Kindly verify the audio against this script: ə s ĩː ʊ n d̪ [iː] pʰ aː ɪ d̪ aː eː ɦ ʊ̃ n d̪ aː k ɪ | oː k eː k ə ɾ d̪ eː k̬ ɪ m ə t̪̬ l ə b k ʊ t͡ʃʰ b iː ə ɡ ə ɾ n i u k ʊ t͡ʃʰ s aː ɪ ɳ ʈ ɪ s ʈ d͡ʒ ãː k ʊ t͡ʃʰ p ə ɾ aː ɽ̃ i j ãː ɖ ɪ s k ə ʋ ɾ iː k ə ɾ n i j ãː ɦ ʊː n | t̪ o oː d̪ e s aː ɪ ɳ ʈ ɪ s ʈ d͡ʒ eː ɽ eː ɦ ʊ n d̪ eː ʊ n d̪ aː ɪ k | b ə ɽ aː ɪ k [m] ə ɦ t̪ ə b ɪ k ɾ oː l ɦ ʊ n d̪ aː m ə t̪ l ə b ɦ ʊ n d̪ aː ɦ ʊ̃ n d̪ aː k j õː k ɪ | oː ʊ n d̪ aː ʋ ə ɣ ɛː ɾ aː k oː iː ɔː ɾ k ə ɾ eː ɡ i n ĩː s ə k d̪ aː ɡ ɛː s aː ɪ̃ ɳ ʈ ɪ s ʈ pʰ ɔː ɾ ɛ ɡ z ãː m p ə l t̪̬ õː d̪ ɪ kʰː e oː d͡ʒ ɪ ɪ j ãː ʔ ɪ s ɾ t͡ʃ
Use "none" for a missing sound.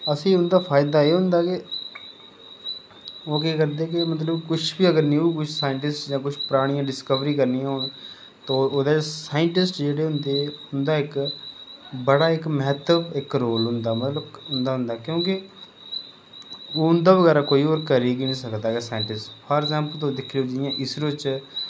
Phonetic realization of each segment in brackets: aː, m

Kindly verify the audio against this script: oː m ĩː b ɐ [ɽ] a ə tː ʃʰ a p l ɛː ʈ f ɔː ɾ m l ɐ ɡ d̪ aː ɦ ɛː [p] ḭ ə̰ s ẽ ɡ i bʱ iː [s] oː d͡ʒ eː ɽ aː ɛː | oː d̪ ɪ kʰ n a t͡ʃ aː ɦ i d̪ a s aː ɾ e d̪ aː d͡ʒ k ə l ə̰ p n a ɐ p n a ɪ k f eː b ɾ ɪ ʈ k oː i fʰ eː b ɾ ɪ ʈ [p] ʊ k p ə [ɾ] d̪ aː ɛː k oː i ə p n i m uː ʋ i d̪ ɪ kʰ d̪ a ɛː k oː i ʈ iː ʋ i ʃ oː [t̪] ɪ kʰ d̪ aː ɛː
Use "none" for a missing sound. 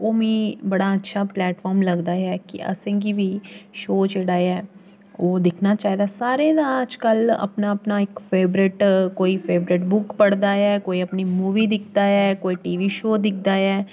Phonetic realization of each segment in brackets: ɽ, k, ʃ, b, ɽ, d̪

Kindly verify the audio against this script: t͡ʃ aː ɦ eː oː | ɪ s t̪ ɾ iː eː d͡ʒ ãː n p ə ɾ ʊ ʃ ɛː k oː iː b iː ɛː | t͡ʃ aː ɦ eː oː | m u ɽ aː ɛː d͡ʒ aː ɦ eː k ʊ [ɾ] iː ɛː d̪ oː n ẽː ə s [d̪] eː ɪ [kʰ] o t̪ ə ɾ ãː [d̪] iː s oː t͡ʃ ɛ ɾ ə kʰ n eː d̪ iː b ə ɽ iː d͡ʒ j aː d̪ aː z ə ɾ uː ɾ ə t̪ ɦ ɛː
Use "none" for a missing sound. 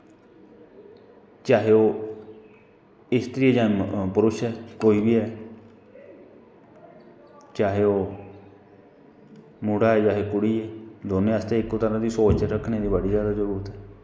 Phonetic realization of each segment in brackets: ɽ, t̪, k, d̪

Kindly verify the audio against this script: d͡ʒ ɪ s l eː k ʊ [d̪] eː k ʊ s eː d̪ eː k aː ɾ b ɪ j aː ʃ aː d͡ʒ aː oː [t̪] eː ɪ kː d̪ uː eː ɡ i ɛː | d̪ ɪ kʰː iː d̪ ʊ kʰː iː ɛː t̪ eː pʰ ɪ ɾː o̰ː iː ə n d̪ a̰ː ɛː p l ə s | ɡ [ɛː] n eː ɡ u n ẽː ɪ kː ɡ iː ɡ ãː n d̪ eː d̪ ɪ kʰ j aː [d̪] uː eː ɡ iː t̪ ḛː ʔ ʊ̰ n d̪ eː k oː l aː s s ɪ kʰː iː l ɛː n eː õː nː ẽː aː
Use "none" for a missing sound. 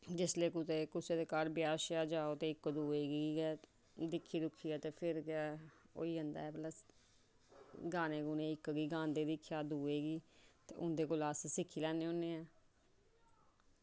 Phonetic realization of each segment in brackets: t̪, t̪, aː, d̪

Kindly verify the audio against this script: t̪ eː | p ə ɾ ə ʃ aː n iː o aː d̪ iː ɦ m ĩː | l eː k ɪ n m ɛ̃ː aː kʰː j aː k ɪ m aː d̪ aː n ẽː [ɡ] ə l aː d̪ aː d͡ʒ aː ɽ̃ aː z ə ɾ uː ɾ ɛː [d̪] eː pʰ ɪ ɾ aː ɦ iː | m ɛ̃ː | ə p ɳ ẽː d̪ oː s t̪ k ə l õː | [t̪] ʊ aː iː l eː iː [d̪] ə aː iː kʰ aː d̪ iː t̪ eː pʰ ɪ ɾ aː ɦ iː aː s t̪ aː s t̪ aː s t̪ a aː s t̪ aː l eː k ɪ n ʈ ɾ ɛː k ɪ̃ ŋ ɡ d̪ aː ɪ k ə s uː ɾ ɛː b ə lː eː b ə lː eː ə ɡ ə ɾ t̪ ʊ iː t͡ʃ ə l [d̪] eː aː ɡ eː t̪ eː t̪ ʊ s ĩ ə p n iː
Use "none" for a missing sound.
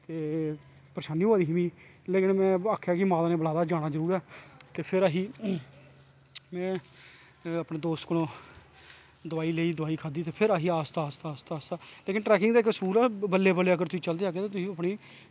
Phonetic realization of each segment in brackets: b, t̪, d̪, d̪, d̪

